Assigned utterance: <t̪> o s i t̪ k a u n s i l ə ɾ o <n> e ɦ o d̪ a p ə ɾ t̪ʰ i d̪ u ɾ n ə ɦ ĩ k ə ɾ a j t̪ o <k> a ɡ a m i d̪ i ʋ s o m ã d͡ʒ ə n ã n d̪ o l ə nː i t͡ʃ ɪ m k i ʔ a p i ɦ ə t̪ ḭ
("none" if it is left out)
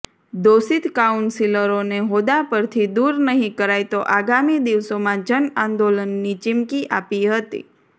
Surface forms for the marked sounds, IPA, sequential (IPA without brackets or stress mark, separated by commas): d̪, n, ʔ